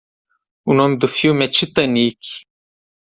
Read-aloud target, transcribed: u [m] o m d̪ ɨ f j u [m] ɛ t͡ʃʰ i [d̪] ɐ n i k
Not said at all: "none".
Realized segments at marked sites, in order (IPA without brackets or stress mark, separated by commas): n, m, t̪